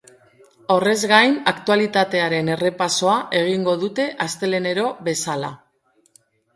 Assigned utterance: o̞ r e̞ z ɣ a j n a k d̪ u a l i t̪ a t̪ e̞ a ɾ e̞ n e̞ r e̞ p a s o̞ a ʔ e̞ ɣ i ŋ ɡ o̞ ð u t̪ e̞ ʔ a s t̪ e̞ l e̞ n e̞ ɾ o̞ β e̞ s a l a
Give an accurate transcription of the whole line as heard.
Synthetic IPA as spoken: o̞ r e̞ z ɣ a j n a k t̪ u a l i t̪ a t̪ e̞ a ɾ e̞ n e̞ r e̞ p a s o̞ a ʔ e̞ ɣ i ŋ ɡ o̞ ð u t̪ e̞ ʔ a s t̪ e̞ l e̞ n e̞ ɾ o̞ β e̞ s a l a